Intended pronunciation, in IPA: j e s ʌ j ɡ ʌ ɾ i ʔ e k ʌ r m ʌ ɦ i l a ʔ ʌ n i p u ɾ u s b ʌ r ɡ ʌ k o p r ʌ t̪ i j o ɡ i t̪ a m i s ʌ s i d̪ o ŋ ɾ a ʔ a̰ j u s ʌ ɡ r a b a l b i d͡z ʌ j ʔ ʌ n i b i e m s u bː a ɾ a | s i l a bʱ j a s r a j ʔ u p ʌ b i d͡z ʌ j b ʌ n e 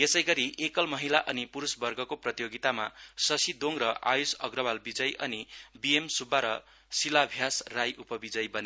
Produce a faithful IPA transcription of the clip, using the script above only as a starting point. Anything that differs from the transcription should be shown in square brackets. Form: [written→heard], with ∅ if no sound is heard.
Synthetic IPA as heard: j e s ʌ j ɡ ʌ ɾ i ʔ e k ʌ [r→l] m ʌ ɦ i l a ʔ ʌ n i p u ɾ u s b ʌ r ɡ ʌ k o p r ʌ t̪ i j o ɡ i t̪ a m [i→a] s ʌ s i d̪ o ŋ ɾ [a→ʌ] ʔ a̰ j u s ʌ ɡ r [a→ʌ] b a l b i d͡z ʌ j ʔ ʌ n i b i e m s u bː a ɾ [a→ʌ] | s i l a bʱ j a s r a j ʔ u p ʌ b i d͡z ʌ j b ʌ n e